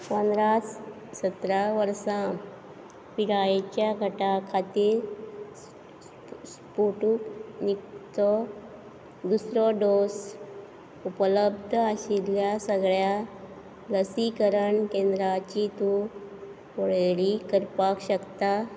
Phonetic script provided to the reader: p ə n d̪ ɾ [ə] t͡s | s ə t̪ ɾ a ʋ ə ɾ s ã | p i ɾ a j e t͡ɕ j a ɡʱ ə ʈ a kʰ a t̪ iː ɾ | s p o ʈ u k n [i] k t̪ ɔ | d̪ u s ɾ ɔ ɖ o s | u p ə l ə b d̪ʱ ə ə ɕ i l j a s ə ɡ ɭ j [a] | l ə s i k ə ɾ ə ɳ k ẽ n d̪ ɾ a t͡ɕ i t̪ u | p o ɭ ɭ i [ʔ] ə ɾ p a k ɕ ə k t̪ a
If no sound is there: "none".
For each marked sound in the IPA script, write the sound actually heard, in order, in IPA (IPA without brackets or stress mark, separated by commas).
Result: a, i, a, k